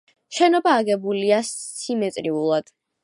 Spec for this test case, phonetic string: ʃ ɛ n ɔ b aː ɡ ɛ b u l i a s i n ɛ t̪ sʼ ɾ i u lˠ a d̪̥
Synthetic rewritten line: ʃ ɛ n ɔ b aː ɡ ɛ b u l i a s i m ɛ t̪ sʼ ɾ i u lˠ a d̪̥